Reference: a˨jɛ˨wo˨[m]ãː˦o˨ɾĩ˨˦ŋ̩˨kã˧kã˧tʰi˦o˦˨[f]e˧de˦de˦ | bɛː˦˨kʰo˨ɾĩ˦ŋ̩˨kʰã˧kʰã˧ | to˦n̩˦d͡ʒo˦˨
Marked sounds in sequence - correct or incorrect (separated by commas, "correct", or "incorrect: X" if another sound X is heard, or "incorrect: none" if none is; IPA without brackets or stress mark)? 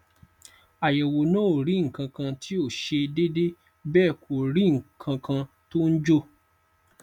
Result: incorrect: n, incorrect: ʃ